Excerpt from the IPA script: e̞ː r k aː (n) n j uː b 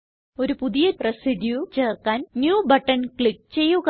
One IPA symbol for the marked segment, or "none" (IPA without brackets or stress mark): n